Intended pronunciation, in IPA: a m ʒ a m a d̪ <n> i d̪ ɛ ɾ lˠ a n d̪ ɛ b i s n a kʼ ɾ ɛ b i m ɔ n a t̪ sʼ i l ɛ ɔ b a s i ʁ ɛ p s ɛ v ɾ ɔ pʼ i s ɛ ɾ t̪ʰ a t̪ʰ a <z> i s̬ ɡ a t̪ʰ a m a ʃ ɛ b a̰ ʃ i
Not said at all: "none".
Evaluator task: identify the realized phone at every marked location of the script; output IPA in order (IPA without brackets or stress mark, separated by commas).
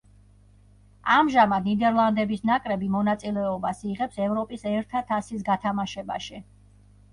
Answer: n, s